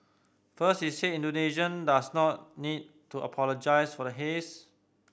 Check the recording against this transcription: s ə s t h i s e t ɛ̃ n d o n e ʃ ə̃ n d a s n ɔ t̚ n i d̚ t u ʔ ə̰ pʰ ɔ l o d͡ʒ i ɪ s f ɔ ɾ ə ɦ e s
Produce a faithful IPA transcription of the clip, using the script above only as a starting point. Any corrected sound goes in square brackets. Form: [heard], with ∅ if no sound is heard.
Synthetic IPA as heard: [f] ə s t h i s e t [ĩ] n d o n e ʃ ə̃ n d a s n ɔ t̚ n i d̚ t u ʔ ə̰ pʰ ɔ l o d͡ʒ [a] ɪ s f ɔ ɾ ə ɦ e s